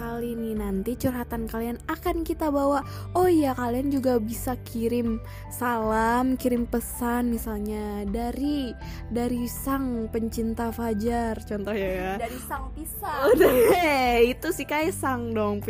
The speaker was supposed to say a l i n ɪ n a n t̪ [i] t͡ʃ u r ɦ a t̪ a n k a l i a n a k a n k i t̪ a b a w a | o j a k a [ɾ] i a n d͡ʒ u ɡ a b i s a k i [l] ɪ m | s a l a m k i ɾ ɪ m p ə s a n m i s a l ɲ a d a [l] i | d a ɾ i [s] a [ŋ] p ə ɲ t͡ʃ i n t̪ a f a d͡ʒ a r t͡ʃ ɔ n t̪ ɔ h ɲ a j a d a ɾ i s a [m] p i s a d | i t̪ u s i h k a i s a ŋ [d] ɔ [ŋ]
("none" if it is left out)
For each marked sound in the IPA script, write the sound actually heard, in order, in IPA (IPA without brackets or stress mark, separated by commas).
i, l, ɾ, ɾ, s, ŋ, ŋ, d, ŋ